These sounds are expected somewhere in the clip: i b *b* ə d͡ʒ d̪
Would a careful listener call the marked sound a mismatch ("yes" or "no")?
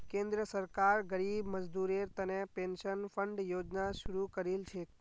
yes